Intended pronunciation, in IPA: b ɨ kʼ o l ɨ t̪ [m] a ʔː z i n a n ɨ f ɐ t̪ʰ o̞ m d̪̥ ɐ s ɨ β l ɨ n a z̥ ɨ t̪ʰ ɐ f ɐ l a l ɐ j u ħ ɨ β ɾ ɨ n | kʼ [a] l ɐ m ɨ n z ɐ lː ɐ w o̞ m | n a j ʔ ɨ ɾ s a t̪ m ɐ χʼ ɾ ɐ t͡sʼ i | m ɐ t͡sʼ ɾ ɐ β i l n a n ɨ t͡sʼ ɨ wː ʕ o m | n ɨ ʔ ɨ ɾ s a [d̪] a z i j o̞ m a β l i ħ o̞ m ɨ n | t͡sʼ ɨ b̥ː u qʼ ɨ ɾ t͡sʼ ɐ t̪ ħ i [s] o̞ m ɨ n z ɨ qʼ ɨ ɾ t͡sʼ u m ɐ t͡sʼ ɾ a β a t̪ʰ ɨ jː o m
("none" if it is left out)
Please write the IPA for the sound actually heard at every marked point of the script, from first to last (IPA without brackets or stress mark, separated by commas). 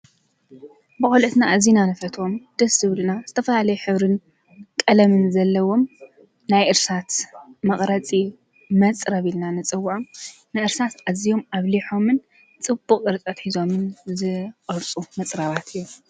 n, ɐ, t̪, z